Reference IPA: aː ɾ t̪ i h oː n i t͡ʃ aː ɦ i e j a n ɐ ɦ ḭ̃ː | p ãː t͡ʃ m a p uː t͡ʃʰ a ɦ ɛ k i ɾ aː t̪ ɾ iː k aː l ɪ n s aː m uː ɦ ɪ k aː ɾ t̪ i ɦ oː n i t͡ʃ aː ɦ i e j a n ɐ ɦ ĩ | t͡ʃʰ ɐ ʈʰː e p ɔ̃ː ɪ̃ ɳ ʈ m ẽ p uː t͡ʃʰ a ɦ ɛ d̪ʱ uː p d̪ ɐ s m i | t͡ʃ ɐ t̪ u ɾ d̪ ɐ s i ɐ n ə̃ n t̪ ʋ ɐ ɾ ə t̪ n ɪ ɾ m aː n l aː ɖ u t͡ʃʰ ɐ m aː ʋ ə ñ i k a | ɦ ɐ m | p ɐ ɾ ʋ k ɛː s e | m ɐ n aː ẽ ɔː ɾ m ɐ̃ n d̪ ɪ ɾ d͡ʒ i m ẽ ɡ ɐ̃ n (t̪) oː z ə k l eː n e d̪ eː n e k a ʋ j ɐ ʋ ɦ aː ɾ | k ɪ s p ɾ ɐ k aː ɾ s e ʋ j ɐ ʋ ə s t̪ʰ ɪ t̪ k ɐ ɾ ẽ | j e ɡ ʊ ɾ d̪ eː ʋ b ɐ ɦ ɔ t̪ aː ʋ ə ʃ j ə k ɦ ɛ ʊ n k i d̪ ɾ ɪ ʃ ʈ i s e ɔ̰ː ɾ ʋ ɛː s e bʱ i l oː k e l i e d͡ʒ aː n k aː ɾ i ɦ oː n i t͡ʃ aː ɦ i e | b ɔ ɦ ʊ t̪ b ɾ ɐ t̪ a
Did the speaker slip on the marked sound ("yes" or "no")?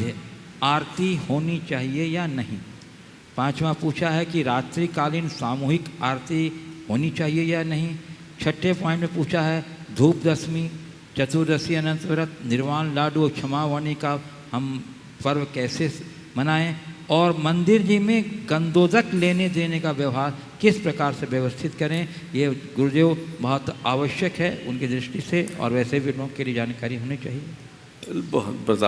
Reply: yes